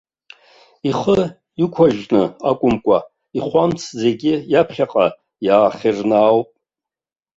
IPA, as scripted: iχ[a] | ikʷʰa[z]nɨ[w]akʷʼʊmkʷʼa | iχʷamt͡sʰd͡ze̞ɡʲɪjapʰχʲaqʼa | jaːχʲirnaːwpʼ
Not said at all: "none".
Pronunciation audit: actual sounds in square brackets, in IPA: ə, ʒ, none

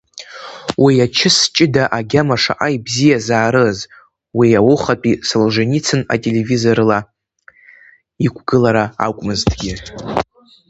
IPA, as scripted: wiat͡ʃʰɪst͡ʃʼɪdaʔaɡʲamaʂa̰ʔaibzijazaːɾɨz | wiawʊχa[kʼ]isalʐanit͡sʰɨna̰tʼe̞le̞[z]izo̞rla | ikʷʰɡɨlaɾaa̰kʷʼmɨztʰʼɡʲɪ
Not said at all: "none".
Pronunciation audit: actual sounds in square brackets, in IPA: pʼ, v

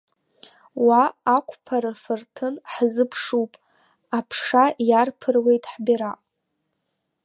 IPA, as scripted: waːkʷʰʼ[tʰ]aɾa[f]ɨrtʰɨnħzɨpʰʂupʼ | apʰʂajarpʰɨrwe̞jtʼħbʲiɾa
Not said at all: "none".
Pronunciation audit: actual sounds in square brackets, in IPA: pʰ, f

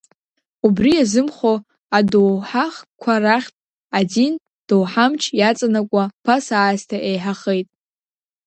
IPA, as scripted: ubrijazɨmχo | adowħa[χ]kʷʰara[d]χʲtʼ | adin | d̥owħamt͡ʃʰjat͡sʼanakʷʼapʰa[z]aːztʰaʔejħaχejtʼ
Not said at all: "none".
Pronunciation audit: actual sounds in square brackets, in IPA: χ, none, s

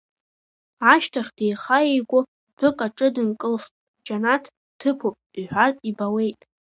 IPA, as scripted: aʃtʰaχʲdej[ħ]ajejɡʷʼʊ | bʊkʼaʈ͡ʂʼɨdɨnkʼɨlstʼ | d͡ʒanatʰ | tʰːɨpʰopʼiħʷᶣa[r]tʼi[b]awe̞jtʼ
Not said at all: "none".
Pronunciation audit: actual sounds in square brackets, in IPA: χ, r, b

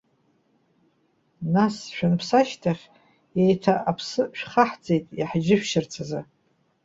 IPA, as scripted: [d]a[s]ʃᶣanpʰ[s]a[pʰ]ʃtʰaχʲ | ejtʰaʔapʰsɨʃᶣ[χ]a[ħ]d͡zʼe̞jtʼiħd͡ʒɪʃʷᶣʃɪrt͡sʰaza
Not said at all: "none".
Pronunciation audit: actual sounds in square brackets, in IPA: n, s, s, none, χ, ħ

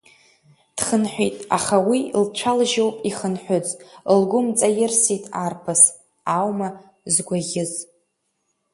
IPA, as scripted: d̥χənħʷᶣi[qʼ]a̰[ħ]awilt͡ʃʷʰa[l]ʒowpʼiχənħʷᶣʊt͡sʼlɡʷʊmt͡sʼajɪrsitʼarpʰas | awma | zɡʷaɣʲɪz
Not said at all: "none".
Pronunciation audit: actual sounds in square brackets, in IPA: tʼ, χ, l

